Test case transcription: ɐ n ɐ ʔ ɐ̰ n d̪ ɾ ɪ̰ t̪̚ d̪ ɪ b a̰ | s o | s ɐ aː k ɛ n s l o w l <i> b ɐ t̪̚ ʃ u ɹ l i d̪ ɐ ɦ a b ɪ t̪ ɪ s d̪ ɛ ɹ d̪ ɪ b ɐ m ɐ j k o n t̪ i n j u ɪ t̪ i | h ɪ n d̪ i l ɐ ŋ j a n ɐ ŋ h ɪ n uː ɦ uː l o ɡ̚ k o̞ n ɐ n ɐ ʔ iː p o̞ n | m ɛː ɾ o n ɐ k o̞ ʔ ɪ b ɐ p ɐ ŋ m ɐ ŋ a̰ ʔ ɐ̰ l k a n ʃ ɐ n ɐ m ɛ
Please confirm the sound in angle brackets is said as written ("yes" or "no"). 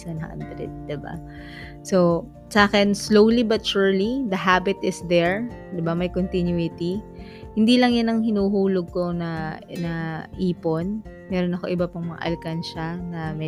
yes